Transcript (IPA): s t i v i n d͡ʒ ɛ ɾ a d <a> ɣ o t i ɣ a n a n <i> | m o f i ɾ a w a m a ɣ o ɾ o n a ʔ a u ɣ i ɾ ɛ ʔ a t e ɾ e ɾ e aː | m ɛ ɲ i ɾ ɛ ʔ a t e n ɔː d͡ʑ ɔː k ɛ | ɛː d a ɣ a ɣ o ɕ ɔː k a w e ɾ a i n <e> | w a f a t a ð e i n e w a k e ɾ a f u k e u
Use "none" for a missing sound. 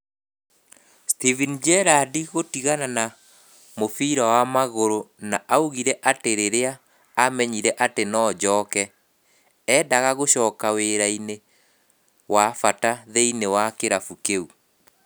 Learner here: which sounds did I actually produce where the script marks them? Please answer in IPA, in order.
i, a, e

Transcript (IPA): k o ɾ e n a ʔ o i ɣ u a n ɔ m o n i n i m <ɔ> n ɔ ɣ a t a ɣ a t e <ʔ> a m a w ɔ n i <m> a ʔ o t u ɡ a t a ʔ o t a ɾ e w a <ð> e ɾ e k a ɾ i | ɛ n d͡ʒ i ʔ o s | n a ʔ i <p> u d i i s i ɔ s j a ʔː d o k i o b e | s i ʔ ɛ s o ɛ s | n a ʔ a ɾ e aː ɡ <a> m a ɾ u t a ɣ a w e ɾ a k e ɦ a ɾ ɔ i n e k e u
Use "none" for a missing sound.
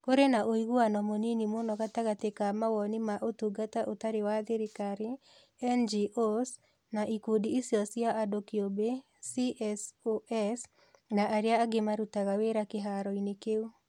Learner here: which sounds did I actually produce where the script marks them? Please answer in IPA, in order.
o, k, m, ð, k, e

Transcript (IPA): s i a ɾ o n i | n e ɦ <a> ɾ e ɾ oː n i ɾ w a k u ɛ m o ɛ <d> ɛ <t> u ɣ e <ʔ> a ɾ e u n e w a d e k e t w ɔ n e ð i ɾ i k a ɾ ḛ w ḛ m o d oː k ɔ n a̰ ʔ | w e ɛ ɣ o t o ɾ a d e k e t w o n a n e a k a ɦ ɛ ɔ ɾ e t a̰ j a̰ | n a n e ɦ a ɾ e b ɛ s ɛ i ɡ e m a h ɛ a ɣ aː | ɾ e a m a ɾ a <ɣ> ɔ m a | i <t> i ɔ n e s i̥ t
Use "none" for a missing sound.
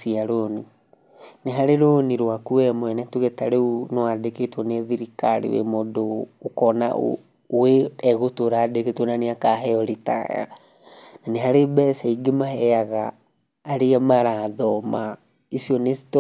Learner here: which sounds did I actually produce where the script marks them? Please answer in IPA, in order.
a, n, t, t, ð, s

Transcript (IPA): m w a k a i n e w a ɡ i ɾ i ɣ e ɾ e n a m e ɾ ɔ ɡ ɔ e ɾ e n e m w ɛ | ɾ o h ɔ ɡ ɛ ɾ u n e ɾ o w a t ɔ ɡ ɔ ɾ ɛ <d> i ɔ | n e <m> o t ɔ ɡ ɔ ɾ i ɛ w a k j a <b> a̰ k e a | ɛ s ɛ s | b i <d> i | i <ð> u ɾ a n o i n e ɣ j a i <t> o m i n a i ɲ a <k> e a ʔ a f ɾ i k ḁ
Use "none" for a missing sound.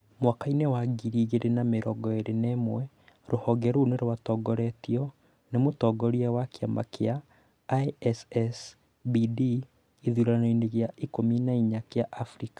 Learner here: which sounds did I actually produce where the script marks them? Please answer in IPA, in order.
t, m, m, d, ð, k, k

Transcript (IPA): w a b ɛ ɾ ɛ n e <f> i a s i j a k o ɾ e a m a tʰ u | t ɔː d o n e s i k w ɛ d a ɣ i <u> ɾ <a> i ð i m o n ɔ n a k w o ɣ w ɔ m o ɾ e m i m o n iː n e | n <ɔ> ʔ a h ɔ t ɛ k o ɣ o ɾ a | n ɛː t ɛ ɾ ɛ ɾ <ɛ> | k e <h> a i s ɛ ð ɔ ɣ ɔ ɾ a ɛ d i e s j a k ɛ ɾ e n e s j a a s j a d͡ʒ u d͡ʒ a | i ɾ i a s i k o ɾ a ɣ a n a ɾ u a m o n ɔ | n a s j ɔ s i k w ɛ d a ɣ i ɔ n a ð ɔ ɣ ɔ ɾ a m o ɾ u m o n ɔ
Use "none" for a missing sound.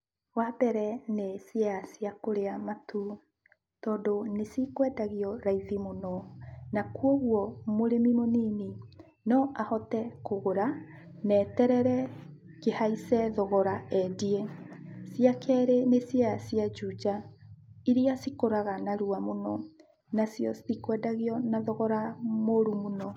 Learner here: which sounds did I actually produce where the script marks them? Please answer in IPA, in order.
s, ɔ, a, ɔ, ɛ, h

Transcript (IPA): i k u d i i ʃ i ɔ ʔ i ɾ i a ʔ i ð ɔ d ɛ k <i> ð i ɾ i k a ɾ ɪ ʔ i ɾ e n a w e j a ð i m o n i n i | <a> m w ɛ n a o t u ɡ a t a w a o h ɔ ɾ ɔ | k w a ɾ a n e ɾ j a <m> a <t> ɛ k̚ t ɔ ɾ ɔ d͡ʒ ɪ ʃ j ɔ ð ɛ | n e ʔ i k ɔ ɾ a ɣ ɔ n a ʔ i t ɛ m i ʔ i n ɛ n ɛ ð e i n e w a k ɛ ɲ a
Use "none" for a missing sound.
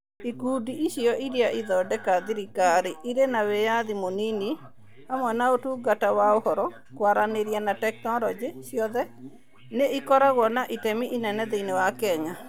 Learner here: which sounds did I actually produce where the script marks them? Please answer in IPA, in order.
a, a, n, t

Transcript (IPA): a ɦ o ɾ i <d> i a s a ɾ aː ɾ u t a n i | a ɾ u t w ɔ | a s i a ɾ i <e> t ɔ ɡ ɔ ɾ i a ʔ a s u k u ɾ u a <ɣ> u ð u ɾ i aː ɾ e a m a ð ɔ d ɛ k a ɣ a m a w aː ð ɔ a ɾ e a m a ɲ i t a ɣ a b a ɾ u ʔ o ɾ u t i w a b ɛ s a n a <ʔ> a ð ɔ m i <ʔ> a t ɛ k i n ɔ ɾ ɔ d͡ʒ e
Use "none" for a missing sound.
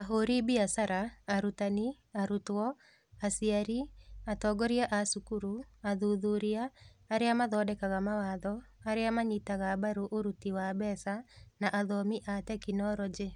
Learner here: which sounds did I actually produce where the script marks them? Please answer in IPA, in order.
b, a, ð, ʔ, ʔ

